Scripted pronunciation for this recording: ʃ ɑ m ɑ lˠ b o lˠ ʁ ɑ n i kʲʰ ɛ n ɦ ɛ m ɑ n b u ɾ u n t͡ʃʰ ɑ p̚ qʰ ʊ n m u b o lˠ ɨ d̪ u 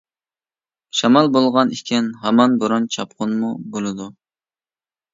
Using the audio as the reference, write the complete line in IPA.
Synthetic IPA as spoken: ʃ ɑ m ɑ lˠ b o lˠ ʁ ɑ n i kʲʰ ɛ n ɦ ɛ m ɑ n b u ɾ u n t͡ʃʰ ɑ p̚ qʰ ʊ n m u b o lˠ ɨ d̪ u